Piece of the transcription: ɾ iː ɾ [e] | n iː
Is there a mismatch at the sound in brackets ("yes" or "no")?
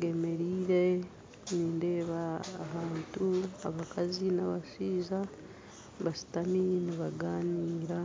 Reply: no